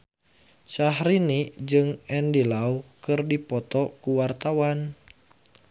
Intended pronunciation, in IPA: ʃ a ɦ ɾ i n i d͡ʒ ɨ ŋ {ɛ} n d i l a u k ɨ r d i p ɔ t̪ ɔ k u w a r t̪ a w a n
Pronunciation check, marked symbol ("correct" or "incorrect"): correct